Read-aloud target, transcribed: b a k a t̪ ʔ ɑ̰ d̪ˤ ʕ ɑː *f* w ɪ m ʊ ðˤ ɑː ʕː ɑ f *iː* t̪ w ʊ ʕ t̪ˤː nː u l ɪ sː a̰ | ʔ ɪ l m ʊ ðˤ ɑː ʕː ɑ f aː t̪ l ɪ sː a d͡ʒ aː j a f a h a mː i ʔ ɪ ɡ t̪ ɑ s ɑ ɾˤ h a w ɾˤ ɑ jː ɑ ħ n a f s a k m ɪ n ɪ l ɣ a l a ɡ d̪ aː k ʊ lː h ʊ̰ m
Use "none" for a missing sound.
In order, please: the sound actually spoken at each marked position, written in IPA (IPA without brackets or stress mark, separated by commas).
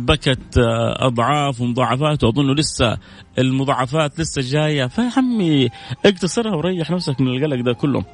f, aː